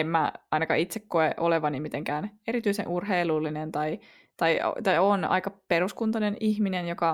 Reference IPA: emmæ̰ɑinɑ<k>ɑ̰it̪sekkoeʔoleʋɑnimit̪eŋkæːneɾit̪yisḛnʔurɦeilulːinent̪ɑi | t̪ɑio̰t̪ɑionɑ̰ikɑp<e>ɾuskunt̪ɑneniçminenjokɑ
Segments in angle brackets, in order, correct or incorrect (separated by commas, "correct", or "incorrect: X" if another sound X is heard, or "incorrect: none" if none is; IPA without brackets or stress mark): correct, correct